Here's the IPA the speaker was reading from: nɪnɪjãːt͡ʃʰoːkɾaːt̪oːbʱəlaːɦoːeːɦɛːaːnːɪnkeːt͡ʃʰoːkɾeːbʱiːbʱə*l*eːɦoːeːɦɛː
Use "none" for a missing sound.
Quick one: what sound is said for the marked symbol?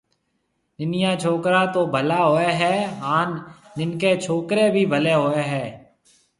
l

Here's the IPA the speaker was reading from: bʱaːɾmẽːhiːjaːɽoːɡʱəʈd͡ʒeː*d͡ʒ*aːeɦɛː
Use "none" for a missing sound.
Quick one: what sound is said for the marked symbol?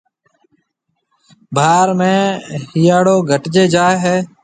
d͡ʒ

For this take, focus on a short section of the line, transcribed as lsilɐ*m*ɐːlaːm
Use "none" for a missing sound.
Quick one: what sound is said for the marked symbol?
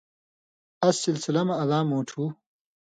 m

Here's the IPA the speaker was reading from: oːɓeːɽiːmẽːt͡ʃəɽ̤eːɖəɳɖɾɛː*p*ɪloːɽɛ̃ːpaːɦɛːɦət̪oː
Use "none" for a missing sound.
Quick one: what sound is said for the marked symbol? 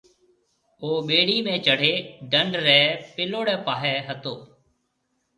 p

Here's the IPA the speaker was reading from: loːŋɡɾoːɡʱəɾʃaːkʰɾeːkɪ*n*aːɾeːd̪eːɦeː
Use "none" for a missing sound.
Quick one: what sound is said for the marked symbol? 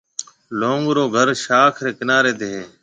n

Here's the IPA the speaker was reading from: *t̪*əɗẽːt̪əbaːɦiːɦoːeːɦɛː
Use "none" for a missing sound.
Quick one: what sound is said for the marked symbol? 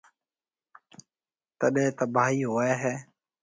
t̪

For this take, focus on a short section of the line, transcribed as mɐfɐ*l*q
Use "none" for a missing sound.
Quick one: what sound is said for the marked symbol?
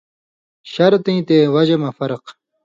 ɾ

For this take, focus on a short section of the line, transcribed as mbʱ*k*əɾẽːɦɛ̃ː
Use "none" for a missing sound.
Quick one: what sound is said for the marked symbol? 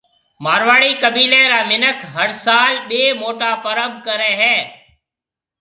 k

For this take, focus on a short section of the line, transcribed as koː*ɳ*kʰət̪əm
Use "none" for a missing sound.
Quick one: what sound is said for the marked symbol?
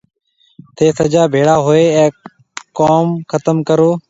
m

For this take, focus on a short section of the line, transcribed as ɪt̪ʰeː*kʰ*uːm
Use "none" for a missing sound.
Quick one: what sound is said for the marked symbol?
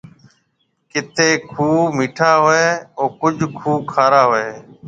kʰ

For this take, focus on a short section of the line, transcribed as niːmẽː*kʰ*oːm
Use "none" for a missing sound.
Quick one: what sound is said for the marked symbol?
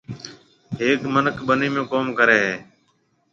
k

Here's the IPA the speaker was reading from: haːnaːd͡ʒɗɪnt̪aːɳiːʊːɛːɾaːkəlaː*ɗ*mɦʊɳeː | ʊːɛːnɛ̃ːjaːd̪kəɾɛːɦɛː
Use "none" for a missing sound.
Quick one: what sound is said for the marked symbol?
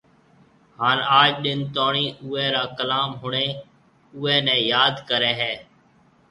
none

